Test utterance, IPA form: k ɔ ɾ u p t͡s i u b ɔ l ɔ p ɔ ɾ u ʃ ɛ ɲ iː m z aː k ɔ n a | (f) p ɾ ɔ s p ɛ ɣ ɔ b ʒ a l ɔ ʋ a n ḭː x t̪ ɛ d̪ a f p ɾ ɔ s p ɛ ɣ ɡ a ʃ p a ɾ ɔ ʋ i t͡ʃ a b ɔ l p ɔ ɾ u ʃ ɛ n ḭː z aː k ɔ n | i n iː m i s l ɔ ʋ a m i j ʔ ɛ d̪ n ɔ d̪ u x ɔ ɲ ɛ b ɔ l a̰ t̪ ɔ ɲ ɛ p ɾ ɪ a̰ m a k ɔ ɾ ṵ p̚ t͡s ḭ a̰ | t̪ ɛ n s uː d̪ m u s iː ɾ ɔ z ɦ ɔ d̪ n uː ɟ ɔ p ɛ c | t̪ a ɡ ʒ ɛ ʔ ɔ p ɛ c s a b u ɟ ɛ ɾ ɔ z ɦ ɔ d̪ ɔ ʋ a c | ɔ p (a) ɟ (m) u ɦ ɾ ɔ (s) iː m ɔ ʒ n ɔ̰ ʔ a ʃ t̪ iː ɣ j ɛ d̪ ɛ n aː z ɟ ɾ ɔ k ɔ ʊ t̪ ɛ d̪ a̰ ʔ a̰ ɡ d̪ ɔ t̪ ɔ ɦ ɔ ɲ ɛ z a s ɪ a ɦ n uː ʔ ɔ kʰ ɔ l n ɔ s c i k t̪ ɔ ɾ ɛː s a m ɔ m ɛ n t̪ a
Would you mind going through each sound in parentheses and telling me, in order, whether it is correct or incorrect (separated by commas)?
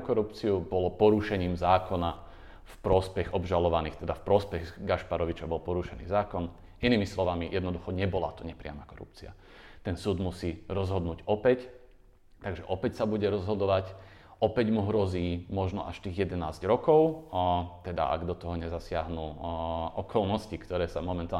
correct, incorrect, correct, incorrect